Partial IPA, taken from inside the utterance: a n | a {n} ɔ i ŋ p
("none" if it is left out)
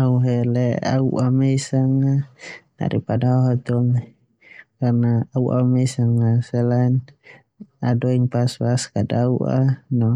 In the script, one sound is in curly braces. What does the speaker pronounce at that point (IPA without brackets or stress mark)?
d